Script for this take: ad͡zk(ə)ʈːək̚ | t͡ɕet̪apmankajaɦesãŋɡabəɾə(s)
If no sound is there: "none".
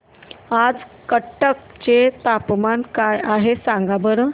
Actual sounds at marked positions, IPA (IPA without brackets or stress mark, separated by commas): ə, none